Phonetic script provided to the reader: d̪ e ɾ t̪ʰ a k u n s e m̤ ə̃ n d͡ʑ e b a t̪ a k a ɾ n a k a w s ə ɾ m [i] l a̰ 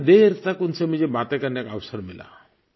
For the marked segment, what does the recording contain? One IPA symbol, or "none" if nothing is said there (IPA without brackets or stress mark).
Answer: i